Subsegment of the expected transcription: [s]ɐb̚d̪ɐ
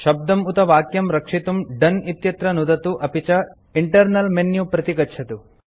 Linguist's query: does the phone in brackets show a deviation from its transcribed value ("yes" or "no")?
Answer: yes